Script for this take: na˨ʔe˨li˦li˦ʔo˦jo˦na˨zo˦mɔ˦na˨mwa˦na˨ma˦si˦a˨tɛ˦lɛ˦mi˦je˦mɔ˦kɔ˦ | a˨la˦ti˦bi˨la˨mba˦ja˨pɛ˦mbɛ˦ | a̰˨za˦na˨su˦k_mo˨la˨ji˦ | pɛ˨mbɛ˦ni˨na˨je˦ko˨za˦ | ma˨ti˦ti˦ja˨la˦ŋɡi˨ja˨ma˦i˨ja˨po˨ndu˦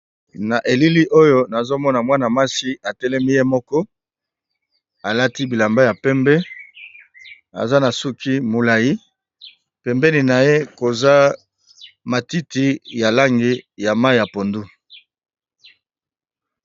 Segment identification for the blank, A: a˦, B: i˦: B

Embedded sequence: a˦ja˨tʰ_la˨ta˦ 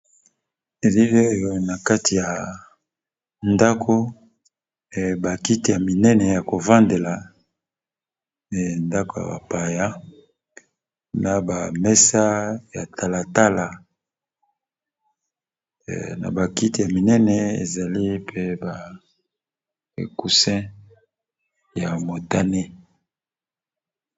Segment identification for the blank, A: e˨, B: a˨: B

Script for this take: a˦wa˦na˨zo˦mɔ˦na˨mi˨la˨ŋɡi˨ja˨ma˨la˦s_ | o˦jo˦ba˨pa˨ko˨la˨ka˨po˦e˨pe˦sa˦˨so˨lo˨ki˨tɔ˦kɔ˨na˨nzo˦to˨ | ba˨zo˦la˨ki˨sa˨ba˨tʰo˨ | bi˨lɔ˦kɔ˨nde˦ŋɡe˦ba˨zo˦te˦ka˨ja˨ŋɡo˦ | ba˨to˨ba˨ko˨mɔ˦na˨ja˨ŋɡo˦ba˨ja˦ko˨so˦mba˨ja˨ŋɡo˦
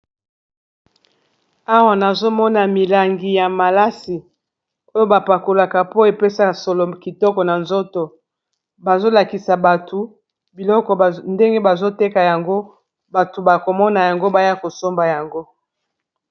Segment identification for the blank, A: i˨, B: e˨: A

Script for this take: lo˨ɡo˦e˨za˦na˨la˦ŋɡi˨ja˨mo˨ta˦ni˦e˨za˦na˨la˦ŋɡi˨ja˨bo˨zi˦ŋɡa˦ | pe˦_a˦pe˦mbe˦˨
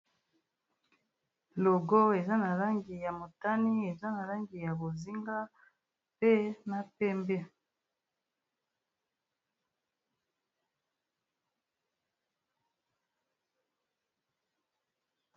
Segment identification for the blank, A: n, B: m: A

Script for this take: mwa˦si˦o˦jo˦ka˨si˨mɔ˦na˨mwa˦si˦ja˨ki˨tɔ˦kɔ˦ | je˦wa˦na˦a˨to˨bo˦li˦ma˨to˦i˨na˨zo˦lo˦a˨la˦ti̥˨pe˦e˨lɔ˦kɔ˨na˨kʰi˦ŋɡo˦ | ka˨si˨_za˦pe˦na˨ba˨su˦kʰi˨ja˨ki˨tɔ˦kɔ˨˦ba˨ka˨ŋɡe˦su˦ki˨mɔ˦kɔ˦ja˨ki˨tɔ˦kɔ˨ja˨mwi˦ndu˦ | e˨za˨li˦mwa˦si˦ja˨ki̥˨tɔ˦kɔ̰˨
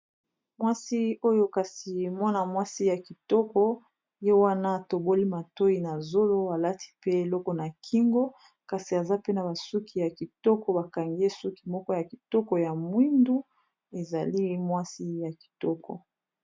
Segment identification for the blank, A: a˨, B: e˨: A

